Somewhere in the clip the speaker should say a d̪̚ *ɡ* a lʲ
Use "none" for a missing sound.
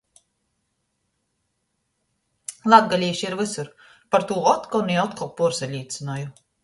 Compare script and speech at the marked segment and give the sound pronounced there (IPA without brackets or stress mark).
ɡ